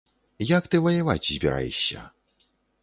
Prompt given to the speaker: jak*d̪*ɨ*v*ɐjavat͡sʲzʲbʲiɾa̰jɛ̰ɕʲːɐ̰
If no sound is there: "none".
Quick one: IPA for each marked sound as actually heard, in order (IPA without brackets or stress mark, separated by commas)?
t̪, v